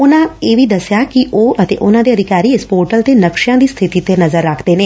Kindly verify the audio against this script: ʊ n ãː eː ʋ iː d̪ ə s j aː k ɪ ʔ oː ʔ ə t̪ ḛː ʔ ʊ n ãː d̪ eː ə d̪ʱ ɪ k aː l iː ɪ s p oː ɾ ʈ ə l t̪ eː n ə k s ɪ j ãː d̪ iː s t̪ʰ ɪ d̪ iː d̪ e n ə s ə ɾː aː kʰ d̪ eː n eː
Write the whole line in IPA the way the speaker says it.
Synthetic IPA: ʊ n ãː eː ʋ iː d̪ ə s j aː k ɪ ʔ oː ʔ ə t̪ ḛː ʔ ʊ n ãː d̪ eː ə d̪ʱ ɪ k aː ɾ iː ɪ s p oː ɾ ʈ ə l t̪ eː n ə k ʃ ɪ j ãː d̪ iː s t̪ʰ ɪ t̪ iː t̪ e n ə z ə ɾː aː kʰ d̪ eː n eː